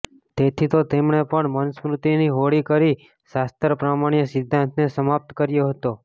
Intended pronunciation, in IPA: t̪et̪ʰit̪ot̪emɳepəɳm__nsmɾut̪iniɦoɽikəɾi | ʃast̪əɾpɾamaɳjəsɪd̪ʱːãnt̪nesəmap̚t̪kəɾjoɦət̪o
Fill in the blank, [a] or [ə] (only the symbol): ə